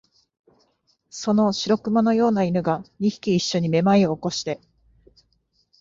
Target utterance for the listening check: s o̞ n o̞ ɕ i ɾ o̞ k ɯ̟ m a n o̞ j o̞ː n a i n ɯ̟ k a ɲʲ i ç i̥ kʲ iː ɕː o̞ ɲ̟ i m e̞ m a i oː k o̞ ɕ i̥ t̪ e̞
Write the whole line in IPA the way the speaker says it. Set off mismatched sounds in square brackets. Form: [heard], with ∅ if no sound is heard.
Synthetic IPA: s o̞ n o̞ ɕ i ɾ o̞ k ɯ̟ m a n o̞ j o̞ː n a i n ɯ̟ [ɡ] a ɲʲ i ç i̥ kʲ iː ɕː o̞ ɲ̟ i m e̞ m a i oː k o̞ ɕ i̥ t̪ e̞